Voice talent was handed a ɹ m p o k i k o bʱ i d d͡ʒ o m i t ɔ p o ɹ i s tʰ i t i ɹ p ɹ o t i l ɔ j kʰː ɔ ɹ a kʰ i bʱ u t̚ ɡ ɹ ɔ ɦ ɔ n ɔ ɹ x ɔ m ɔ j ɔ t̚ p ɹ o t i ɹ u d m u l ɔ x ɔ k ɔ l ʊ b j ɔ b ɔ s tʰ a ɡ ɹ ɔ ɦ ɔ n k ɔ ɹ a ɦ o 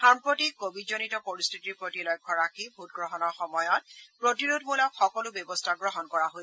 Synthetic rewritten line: a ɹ m p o t i k o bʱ i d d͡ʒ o n i t ɔ p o ɹ i s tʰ i t i ɹ p ɹ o t i l ɔ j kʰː ɔ ɹ a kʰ i bʱ u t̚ ɡ ɹ ɔ ɦ ɔ n ɔ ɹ x ɔ m ɔ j ɔ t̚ p ɹ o t i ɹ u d m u l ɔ x ɔ k ɔ l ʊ b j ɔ b ɔ s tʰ a ɡ ɹ ɔ ɦ ɔ n k ɔ ɹ a ɦ o